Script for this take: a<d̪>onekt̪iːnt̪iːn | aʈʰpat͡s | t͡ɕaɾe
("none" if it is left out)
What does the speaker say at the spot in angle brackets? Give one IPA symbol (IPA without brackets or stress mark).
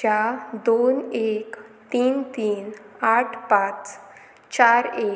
d̪